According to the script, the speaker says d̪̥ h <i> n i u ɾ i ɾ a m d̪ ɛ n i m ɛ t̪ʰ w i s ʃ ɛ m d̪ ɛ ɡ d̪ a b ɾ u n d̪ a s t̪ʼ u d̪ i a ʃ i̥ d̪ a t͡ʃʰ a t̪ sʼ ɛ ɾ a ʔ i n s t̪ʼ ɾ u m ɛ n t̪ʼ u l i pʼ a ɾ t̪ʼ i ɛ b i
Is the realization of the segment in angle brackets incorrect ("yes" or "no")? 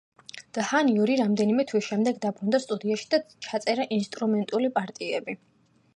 yes